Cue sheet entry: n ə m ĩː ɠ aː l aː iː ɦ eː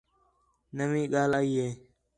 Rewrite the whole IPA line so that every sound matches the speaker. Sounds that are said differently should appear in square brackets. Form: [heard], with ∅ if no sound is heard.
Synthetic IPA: n ə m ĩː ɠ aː l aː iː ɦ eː